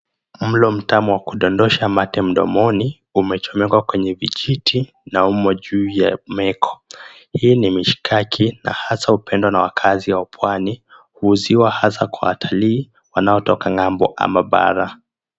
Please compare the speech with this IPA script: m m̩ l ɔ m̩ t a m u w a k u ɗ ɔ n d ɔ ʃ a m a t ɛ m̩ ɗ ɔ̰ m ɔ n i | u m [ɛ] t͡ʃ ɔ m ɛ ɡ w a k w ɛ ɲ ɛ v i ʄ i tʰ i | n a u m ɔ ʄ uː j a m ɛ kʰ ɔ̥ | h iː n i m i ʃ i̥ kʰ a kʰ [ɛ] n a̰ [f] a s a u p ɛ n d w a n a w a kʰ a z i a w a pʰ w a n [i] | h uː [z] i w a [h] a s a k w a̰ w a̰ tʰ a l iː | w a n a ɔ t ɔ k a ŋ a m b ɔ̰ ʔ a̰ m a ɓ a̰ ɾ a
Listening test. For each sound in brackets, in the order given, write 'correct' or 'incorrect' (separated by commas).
correct, incorrect, incorrect, correct, correct, correct